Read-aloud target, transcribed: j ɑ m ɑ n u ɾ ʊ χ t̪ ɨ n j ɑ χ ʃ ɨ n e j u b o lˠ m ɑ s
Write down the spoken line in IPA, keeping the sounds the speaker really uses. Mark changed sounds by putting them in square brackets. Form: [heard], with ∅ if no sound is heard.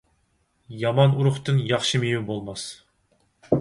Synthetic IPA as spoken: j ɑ m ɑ n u ɾ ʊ χ t̪ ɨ n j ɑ χ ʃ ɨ [m] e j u b o lˠ m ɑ s